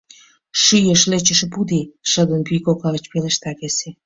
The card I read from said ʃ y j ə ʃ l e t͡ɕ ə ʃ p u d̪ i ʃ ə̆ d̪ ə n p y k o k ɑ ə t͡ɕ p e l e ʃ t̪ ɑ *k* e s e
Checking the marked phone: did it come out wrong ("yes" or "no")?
no